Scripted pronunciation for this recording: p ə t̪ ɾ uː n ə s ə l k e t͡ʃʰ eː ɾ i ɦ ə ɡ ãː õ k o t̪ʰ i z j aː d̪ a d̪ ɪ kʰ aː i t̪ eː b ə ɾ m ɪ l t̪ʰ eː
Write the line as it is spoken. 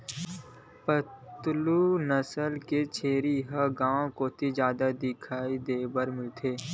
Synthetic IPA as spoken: p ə t̪ l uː n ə s ə l k e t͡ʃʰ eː ɾ i ɦ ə ɡ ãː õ k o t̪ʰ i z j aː d̪ a d̪ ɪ kʰ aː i d̪ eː b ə ɾ m ɪ l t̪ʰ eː